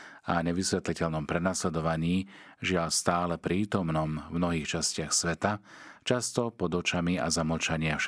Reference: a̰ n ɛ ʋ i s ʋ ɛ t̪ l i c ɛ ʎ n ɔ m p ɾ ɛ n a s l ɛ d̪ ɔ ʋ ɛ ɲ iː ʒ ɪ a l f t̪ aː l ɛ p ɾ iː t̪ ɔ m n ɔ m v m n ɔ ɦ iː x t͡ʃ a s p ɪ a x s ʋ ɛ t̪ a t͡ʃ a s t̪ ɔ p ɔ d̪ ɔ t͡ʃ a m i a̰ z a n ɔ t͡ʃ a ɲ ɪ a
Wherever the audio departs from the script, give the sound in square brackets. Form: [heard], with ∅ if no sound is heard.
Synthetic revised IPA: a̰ [ɲ] ɛ ʋ i s ʋ ɛ t̪ l i c ɛ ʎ n ɔ m p ɾ ɛ n a s l ɛ d̪ ɔ ʋ [a] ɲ iː ʒ ɪ a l [s] t̪ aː l ɛ p ɾ iː t̪ ɔ m n ɔ m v m n ɔ ɦ iː x t͡ʃ a s [c] ɪ a x s ʋ ɛ t̪ a t͡ʃ a s t̪ ɔ p ɔ d̪ ɔ t͡ʃ a m i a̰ z a [m] ɔ t͡ʃ a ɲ ɪ a